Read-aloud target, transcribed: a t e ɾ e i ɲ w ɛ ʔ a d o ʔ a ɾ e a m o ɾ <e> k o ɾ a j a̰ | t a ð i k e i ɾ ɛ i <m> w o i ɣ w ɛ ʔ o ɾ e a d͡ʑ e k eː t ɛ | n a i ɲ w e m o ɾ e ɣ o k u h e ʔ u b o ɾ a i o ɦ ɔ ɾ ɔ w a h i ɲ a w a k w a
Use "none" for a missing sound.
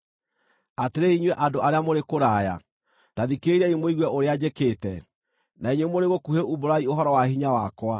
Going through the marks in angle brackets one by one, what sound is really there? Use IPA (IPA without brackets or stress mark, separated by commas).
e, m